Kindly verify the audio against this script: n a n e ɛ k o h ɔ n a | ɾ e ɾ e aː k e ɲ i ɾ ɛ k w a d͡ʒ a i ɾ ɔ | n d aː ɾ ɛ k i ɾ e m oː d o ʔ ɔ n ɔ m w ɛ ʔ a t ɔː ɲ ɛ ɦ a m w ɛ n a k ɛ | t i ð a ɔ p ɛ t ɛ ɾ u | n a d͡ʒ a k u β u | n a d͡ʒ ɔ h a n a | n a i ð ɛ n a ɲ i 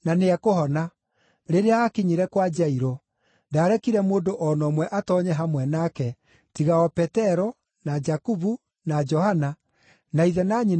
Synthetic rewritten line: n a n e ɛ k o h ɔ n a | ɾ e ɾ e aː k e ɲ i ɾ ɛ k w a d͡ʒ a i ɾ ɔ | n d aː ɾ ɛ k i ɾ ɛ m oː d o ʔ ɔ n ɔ m w ɛ ʔ a t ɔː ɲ ɛ ɦ a m w ɛ n a k ɛ | t i ɣ a ɔ p ɛ t ɛ ɾ ɔ | n a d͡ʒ a k u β u | n a d͡ʒ ɔ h a n a | n a i ð ɛ n a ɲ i